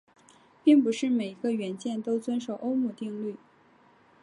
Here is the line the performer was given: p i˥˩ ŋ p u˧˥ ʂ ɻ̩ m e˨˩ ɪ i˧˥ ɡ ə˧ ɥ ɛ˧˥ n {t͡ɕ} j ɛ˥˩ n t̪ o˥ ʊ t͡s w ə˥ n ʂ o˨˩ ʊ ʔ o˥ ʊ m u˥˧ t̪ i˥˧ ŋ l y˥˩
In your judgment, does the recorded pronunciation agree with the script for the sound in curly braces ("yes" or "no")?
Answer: yes